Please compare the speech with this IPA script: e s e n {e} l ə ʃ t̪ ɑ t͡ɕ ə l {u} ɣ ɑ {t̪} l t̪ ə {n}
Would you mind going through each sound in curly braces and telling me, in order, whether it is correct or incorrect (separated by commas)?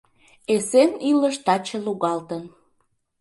incorrect, correct, incorrect, correct